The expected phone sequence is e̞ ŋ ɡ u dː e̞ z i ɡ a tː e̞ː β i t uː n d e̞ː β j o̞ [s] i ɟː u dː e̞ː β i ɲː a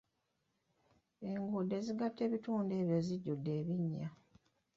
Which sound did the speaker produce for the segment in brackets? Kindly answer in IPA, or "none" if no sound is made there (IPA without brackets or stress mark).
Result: z